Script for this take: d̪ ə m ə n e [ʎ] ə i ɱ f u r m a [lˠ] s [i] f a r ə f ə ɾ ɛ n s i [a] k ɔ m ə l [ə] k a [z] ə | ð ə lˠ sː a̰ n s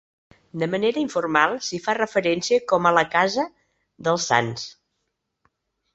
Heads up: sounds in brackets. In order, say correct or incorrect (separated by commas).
incorrect, correct, correct, incorrect, correct, correct